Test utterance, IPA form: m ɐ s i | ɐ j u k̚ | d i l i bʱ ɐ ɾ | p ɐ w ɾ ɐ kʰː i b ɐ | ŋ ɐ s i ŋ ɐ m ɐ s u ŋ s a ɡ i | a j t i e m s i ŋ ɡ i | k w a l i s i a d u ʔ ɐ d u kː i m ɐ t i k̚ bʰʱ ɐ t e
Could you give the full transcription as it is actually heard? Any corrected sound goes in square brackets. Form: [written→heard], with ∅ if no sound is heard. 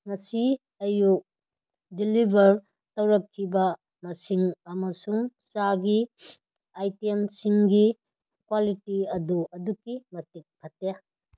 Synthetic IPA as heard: [m→ŋ] ɐ s i | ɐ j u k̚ | d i l i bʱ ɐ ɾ | [p→t] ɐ w ɾ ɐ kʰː i b ɐ | [ŋ→m] ɐ s i ŋ ɐ m ɐ s u ŋ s a ɡ i | a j t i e m s i ŋ ɡ i | k w a l i [s→t] i [a→ɐ] d u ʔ ɐ d u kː i m ɐ t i k̚ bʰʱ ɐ t e

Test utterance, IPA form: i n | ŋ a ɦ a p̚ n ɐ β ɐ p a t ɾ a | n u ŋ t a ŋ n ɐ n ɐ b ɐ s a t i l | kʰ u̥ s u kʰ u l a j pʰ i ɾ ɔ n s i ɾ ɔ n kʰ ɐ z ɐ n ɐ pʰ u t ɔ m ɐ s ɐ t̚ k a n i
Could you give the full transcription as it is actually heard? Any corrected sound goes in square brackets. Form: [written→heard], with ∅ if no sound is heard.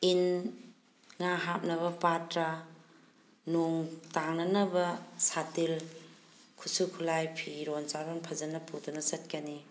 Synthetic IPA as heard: i n | ŋ a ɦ a p̚ n ɐ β ɐ p a t ɾ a | n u ŋ t a ŋ n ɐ n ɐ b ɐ s a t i l | kʰ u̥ s u kʰ u l a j pʰ i ɾ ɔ n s [i→a] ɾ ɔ n [kʰ→pʰ] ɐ z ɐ n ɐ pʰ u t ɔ [m→n] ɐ s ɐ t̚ k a n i

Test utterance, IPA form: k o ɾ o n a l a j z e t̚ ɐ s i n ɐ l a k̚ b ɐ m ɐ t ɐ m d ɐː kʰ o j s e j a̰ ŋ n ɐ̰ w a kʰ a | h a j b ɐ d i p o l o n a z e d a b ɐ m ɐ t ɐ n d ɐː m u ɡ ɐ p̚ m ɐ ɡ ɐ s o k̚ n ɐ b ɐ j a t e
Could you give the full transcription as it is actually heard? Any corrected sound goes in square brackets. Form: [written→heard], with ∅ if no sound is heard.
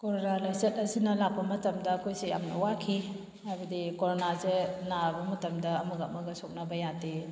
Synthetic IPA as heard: k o ɾ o n a l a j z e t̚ ɐ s i n ɐ l a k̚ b ɐ m ɐ t ɐ m d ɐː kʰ o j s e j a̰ [ŋ→m] n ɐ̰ w a kʰ [a→i] | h a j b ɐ d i [p→k] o [l→ɾ] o n a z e [d→n] a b ɐ m ɐ t ɐ [n→m] d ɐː m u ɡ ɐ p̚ m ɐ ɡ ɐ s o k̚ n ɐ b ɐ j a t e

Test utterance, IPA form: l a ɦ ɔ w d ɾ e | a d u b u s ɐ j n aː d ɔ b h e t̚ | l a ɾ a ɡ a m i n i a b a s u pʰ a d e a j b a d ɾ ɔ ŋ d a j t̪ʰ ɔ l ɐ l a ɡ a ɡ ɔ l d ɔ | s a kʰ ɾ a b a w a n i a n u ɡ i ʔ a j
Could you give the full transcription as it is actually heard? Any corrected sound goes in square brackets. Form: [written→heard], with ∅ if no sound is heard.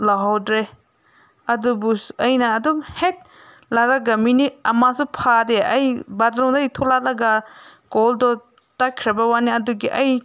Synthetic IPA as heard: l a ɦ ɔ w d ɾ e | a d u b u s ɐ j n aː d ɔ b h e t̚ | l a ɾ a ɡ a m i n i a [b→m] a s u pʰ a d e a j b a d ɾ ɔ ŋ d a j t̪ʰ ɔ l [ɐ→a] l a ɡ a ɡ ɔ l d ɔ | [s→t] a kʰ ɾ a b a w a n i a [n→d] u ɡ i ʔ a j

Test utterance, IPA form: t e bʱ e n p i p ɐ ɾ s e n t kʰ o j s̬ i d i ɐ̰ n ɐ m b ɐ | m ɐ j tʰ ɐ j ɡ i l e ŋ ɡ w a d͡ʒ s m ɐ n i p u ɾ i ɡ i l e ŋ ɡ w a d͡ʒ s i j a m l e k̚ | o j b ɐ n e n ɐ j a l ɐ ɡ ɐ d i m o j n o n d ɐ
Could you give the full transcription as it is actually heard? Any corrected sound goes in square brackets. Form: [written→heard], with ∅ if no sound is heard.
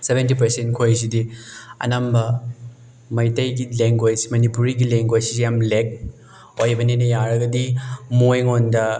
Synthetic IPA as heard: [t→s] e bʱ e n [p→t] i p ɐ ɾ s e n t kʰ o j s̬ i d i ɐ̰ n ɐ m b ɐ | m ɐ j [tʰ→t] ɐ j ɡ i l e ŋ ɡ w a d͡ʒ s m ɐ n i p u ɾ i ɡ i l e ŋ ɡ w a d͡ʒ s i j a m l e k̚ | o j b ɐ n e n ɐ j a [l→ɾ] ɐ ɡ ɐ d i m o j [n→ŋ] o n d ɐ

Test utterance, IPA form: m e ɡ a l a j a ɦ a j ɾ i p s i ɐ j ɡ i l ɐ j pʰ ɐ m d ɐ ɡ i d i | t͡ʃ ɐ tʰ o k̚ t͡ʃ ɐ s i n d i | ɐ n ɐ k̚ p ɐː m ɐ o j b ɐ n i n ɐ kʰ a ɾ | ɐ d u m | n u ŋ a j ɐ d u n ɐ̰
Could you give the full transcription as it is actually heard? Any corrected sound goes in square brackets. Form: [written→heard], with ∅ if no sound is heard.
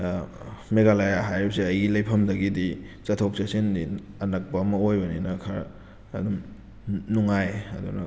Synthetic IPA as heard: m e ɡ a l a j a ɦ a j ɾ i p s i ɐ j ɡ i l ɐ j pʰ ɐ m d ɐ ɡ i d i | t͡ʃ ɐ tʰ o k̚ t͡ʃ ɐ s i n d i | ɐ n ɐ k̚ p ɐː m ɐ o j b ɐ n i n ɐ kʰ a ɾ | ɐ d u m | n u ŋ a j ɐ d u n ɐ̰

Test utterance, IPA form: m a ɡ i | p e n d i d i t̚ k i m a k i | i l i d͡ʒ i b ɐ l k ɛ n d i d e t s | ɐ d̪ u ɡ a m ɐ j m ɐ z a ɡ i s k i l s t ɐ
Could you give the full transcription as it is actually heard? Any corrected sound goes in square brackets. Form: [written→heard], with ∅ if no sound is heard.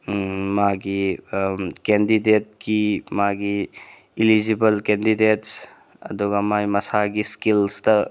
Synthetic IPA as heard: m a ɡ i | [p→k] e n d i d [i→e] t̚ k i m a [k→ɡ] i | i l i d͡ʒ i b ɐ l k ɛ n d i d e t s | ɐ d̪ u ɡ a m [ɐ→a] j m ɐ [z→s] a ɡ i s k i l s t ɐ

